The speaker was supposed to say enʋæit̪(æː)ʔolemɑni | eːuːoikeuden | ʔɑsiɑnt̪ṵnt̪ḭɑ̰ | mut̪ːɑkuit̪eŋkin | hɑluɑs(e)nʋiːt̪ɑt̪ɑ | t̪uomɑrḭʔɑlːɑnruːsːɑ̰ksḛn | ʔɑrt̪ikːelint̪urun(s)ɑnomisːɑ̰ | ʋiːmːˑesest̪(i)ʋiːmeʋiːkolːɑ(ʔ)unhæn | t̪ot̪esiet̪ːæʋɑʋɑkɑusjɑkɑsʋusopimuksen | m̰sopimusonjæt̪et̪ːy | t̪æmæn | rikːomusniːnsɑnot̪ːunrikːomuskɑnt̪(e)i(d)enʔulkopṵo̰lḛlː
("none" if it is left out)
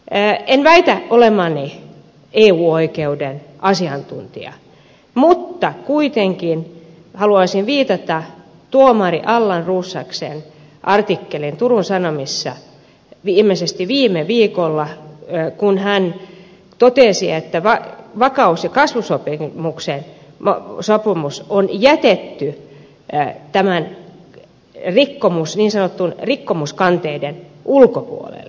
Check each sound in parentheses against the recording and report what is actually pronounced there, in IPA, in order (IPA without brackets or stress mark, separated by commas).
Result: æ, i, s, i, k, e, d